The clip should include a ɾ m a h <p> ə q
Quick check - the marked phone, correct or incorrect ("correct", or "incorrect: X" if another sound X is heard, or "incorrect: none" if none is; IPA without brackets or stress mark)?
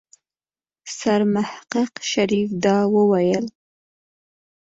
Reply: incorrect: q